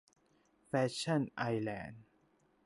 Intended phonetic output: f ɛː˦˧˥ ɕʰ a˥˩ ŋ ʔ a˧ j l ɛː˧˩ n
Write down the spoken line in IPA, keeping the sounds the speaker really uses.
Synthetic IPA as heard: f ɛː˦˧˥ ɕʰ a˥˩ n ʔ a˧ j l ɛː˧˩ n